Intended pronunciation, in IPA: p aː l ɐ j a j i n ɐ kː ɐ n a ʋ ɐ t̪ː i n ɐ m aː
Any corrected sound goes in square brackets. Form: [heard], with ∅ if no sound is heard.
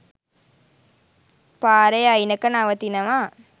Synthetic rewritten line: p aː [ɾ] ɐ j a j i n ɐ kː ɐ n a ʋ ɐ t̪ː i n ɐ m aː